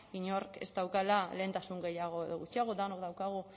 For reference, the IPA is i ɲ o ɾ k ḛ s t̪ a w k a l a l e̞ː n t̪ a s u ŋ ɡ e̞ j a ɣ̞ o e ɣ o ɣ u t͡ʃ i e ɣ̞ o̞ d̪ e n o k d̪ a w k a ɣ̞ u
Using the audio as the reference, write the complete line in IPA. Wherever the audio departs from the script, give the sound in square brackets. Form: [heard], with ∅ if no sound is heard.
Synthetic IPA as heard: i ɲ o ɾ k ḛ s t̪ a w k a l a l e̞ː n t̪ a s u ŋ ɡ e̞ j a ɣ̞ o e [ð] o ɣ u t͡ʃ i [a] ɣ̞ o̞ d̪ [a] n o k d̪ a w k a ɣ̞ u